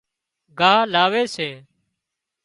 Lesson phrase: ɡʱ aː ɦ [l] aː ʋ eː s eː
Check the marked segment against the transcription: correct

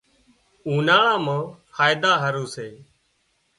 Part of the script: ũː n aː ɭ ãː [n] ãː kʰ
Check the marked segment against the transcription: incorrect: m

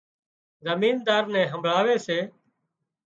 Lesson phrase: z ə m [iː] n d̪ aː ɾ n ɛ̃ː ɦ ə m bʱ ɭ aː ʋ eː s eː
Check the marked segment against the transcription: correct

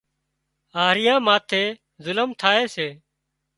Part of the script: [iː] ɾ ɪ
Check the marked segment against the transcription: incorrect: aː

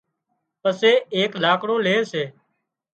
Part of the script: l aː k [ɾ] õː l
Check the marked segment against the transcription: incorrect: ɽ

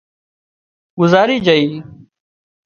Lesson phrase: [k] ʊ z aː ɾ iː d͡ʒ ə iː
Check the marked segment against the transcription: incorrect: ɡ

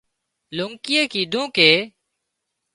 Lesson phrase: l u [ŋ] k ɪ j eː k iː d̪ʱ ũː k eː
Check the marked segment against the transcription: correct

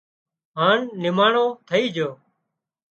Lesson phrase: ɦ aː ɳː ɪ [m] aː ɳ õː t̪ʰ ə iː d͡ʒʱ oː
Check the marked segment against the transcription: correct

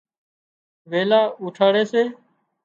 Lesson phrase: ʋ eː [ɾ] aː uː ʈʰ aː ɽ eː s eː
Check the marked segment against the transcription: incorrect: l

